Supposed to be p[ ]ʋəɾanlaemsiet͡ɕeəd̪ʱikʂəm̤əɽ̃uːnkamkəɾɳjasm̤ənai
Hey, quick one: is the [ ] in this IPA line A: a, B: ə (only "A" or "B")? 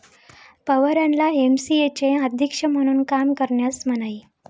B